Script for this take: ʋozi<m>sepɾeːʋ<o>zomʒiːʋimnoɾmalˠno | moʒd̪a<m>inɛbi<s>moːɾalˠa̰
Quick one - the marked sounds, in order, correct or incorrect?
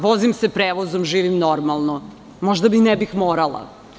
correct, correct, correct, incorrect: x

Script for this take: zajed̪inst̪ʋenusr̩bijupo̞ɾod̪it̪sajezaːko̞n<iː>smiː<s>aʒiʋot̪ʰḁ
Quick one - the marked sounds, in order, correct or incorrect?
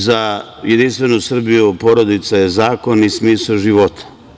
incorrect: i, correct

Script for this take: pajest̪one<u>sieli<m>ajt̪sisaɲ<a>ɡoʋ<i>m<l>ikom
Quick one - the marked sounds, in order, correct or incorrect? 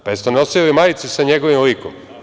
incorrect: o, correct, incorrect: e, correct, correct

